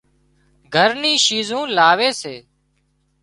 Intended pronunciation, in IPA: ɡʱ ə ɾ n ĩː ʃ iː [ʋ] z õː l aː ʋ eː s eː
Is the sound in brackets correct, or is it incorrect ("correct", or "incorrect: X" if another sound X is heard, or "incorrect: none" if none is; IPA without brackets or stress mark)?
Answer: incorrect: none